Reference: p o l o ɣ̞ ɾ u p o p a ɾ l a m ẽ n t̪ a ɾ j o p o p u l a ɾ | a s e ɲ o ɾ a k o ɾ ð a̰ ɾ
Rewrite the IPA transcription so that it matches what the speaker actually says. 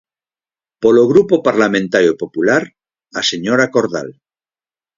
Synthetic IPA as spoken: p o l o ɣ̞ ɾ u p o p a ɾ l a m ẽ n t̪ a ɾ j o p o p u l a ɾ | a s e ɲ o ɾ a k o ɾ ð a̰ l